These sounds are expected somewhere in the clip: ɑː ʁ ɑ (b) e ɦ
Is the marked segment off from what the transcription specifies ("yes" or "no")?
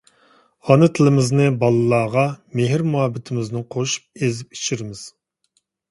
yes